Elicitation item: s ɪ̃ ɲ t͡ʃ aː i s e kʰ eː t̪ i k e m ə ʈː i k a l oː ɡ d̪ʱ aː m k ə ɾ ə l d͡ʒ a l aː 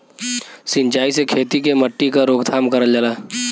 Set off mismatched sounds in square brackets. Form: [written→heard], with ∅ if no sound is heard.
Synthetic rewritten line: s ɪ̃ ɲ t͡ʃ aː i s e kʰ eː t̪ i k e m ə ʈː i k a [l→ɾ] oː ɡ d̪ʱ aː m k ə ɾ ə l d͡ʒ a l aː